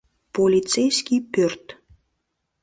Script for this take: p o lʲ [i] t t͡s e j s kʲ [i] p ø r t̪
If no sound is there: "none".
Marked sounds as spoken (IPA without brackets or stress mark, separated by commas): i, i